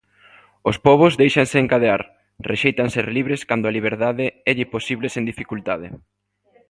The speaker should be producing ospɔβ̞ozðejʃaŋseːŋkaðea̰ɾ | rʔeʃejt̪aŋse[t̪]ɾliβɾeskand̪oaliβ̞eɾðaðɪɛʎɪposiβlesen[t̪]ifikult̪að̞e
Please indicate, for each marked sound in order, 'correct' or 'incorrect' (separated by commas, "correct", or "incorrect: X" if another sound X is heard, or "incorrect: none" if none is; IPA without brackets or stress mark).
incorrect: none, incorrect: d̪